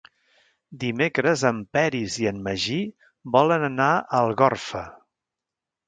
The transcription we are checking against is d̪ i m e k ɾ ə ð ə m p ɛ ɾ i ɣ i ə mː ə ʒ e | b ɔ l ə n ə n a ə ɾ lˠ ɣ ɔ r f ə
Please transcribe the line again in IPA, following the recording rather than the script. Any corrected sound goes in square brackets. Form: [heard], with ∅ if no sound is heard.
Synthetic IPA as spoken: d̪ i m e k ɾ ə [z] ə m p ɛ ɾ i [z] i ə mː ə ʒ [i] | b ɔ l ə n ə n a ə [∅] lˠ ɣ ɔ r f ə